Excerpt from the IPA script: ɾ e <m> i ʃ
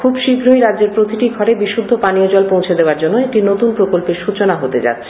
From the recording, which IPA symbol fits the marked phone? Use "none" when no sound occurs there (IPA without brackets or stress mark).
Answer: b